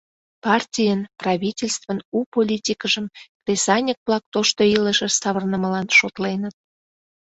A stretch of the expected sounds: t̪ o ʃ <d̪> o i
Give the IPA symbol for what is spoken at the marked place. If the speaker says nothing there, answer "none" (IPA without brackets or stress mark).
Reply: t̪